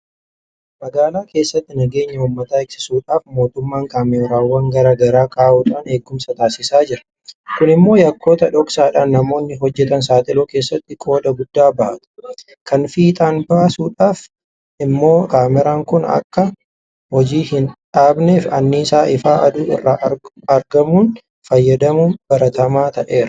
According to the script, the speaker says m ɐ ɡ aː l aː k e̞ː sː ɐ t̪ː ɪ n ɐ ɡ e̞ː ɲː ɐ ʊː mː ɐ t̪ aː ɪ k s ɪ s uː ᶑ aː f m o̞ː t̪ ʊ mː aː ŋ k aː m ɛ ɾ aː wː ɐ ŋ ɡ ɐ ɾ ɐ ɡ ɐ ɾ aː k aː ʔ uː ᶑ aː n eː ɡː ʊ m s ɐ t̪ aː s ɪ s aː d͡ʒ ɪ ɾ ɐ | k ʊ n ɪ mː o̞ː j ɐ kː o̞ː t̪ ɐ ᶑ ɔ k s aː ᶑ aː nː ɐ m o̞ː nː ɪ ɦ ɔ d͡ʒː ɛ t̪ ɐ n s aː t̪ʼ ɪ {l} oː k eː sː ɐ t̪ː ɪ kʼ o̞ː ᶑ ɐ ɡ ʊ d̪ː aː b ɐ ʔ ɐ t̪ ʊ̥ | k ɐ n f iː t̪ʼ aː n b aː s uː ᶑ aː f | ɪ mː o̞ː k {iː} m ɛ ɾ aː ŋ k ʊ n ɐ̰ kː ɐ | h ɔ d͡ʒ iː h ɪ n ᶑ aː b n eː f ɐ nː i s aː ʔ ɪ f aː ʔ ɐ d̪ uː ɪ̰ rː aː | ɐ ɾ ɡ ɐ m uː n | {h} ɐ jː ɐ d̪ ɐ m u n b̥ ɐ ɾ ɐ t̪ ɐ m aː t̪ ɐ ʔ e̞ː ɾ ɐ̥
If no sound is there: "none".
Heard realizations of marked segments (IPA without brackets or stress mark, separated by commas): l, aː, f